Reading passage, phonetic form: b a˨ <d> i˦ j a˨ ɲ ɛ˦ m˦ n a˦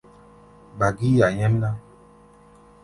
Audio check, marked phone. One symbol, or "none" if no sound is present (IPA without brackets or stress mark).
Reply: ɡ